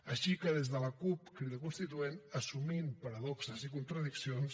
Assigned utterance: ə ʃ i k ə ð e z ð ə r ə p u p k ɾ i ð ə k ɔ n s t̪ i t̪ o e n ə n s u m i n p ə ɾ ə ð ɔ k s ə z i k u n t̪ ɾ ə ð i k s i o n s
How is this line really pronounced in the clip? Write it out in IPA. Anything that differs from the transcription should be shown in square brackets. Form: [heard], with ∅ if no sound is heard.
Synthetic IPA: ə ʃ i k ə ð e z ð ə [l] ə [k] u p k ɾ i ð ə k [u] n s t̪ i t̪ [u] e n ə [∅] s u m i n p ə ɾ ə ð ɔ k s ə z i k u n t̪ ɾ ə ð i k s i o n s